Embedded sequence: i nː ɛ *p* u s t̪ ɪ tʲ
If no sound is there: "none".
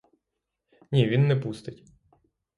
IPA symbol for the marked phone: p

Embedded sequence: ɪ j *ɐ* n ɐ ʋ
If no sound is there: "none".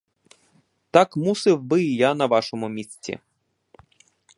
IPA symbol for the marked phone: a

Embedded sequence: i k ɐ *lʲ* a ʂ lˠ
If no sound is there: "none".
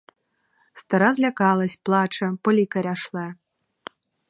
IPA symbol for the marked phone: ɾʲ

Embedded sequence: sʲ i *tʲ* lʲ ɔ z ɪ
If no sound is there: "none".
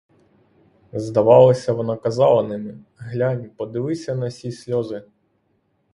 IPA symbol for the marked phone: sʲ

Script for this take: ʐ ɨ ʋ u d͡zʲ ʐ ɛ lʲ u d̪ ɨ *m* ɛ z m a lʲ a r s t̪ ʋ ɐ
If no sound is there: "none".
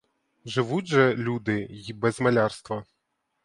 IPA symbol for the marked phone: b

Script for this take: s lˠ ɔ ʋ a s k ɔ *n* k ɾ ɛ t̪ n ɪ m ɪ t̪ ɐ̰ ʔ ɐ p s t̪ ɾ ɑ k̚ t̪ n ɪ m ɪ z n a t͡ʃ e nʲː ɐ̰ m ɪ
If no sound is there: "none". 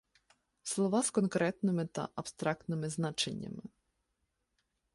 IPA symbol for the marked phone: n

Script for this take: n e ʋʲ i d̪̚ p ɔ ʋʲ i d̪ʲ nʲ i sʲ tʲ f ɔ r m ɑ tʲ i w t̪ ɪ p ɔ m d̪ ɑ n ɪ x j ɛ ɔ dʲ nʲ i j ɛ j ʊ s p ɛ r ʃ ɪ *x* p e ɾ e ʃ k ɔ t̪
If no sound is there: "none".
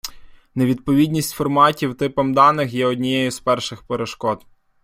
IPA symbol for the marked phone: x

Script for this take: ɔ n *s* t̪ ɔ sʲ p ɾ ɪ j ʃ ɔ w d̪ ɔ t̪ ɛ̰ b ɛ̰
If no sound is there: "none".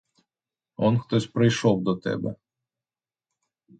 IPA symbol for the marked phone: x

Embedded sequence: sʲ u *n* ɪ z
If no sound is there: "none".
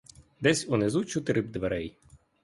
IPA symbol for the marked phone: n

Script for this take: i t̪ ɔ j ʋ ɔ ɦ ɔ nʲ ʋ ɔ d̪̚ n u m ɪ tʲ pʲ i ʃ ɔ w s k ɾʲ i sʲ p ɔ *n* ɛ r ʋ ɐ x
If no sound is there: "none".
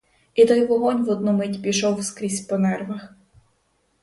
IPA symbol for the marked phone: n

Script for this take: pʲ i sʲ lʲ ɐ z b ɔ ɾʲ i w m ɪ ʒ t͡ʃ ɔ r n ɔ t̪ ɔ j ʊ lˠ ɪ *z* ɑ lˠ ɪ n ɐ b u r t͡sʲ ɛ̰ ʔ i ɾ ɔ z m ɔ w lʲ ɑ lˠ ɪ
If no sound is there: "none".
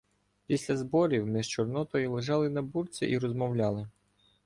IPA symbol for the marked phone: ʒ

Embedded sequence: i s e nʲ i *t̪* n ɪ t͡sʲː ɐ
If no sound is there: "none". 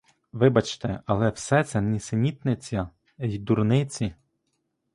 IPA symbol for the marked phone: t̪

